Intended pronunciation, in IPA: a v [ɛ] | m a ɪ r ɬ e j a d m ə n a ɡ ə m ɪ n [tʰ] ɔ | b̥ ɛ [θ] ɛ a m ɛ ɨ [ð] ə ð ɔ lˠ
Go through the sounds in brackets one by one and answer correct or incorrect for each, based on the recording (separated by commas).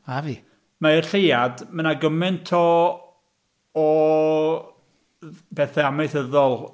incorrect, correct, correct, incorrect